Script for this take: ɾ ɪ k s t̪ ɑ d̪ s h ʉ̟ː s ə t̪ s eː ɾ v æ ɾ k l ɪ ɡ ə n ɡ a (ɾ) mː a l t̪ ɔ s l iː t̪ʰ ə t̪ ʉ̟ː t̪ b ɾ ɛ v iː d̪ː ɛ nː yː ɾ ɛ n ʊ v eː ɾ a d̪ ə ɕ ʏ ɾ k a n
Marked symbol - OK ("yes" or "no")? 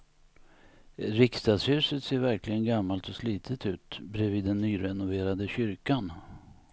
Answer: no